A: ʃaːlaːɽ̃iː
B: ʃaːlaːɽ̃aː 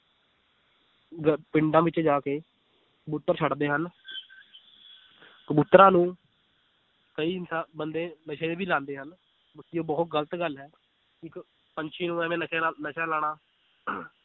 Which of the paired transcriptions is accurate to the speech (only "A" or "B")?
B